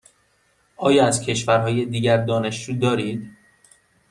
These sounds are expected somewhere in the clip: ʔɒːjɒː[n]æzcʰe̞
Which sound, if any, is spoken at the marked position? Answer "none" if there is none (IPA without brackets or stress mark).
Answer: none